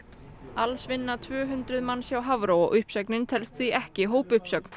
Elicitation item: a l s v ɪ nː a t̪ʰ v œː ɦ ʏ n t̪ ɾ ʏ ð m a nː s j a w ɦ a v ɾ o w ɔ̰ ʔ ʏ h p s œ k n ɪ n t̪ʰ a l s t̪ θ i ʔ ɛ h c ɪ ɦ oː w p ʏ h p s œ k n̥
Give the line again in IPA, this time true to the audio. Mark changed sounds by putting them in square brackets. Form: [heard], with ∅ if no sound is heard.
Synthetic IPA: a l s v ɪ nː a t̪ʰ v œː ɦ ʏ n t̪ ɾ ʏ ð m a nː s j a w ɦ a v ɾ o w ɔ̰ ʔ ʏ h p s œ k n ɪ n t̪ʰ [ɛ] l s t̪ θ i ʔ ɛ h c ɪ ɦ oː w p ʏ h p s œ k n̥